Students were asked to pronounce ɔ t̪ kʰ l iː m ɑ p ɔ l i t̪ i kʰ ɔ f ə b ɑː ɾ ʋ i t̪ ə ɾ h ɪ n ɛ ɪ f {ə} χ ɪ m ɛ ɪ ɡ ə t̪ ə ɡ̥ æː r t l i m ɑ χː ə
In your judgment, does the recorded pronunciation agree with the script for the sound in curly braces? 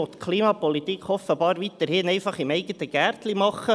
no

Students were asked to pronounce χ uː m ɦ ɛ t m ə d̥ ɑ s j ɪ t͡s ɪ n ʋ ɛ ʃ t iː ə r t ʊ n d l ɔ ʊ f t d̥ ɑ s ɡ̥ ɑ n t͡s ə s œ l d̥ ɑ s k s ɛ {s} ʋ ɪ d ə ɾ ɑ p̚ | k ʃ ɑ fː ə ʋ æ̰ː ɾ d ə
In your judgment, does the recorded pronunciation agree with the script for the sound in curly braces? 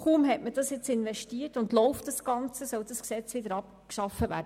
no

